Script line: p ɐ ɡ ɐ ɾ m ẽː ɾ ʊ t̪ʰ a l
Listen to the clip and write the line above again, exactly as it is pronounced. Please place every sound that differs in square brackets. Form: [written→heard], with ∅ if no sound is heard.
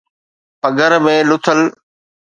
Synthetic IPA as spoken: p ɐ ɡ [ɐ→ə] ɾ m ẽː [ɾ→l] ʊ t̪ʰ [a→ə] l